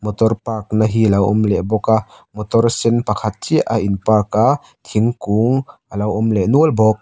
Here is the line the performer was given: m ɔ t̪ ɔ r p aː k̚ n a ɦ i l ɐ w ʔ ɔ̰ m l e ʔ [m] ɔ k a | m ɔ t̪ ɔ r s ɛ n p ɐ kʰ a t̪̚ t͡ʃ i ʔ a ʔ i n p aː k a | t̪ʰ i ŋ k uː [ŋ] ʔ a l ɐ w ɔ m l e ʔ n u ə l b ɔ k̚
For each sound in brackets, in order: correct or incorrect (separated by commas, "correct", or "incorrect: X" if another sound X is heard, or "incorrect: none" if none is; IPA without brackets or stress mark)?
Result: incorrect: b, correct